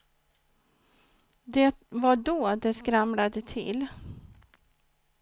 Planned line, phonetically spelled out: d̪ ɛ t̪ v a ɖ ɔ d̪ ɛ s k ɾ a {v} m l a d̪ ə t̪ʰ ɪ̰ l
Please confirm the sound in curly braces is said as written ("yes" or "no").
no